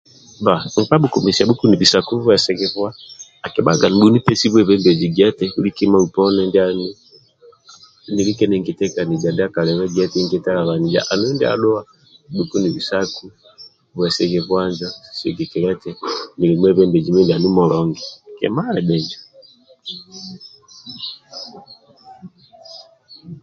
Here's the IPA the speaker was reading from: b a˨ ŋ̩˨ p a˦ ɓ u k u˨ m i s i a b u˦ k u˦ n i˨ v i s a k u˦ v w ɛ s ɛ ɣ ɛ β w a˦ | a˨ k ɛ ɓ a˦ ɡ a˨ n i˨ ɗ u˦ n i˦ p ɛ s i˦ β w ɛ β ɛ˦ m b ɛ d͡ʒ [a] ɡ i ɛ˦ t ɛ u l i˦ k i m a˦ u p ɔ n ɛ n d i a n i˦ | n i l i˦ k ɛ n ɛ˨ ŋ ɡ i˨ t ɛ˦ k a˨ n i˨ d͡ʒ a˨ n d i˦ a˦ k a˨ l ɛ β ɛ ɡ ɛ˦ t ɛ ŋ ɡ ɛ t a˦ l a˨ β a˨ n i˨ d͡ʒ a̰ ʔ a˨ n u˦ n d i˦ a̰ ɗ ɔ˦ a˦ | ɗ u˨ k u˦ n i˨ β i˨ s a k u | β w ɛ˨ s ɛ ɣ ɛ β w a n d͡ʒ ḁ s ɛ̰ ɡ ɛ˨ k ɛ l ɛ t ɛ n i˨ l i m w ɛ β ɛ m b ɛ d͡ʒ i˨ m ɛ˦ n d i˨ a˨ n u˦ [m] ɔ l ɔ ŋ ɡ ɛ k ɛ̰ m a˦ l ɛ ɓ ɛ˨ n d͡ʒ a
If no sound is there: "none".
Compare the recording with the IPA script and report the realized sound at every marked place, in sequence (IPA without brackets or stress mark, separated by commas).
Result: i, m